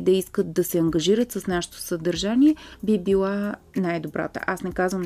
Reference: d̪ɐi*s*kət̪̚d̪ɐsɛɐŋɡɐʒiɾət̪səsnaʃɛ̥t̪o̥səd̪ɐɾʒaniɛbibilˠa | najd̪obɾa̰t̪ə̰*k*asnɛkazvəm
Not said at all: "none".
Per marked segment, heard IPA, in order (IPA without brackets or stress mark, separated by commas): s, ʔ